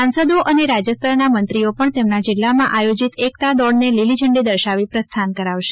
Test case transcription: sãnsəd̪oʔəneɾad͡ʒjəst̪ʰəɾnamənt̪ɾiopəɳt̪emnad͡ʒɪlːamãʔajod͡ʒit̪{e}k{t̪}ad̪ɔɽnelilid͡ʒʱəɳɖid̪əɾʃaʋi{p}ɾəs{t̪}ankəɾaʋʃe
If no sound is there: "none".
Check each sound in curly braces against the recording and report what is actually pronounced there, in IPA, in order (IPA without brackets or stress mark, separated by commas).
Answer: e, t̪, p, t̪ʰ